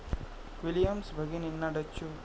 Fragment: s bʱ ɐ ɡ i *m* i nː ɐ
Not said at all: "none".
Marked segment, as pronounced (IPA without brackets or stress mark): n